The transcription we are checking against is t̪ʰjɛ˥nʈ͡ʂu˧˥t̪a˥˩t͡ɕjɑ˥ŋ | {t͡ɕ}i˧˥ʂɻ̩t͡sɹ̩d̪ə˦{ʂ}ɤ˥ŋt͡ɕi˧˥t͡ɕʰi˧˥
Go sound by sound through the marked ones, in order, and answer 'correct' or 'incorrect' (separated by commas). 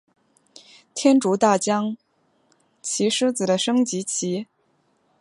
incorrect, correct